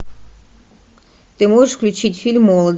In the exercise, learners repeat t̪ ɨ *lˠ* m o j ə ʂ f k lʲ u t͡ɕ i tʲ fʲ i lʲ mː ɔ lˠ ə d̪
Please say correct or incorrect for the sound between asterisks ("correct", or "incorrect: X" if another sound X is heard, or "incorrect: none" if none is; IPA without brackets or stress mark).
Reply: incorrect: none